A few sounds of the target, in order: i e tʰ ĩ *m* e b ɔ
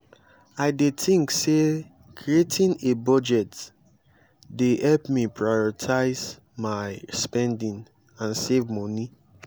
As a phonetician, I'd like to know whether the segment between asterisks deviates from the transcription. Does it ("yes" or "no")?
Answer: yes